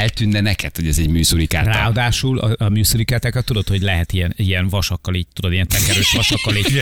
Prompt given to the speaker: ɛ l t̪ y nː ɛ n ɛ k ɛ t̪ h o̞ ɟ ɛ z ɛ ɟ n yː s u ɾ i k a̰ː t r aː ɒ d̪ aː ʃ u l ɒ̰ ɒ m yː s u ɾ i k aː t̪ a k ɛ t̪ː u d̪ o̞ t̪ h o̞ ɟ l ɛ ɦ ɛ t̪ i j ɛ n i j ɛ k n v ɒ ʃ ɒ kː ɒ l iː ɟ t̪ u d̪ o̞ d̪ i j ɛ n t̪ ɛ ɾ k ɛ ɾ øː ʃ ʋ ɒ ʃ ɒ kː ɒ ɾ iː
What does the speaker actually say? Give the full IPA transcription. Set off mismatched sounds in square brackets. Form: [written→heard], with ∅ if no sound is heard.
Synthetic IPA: ɛ l t̪ y nː ɛ n ɛ k ɛ t̪ h o̞ ɟ ɛ z ɛ ɟ [n→m] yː s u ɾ i k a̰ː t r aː ɒ d̪ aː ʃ u l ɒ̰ ɒ m yː s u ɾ i k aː t̪ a k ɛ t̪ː u d̪ o̞ t̪ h o̞ ɟ l ɛ ɦ ɛ t̪ i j ɛ n i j ɛ [k→∅] n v ɒ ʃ ɒ kː ɒ l iː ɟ t̪ u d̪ o̞ d̪ i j ɛ n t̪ ɛ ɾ k ɛ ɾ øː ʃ ʋ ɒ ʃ ɒ kː ɒ [ɾ→l] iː